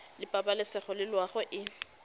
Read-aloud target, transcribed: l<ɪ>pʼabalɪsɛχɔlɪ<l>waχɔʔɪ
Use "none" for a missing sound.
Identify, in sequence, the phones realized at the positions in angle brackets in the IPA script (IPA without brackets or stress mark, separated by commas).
ɪ, l